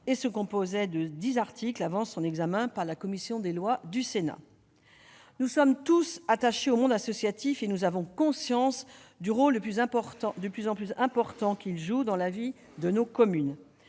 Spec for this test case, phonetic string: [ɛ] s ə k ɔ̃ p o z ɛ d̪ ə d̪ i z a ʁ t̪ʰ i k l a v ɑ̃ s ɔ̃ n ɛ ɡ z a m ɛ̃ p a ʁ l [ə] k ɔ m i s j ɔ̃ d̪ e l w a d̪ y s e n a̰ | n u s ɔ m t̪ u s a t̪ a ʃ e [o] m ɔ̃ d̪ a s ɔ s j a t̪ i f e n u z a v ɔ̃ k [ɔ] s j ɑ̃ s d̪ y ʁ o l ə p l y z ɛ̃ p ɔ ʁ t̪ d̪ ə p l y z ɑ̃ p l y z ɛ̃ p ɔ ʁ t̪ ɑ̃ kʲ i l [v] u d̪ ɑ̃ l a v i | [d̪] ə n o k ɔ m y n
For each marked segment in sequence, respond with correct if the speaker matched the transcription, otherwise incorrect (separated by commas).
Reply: incorrect, incorrect, correct, incorrect, incorrect, correct